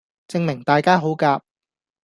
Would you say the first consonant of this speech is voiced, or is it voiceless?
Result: voiceless